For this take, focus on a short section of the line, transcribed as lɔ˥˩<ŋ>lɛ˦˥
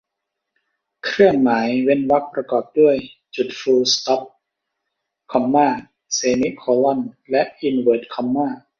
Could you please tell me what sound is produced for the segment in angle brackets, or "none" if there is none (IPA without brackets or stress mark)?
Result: n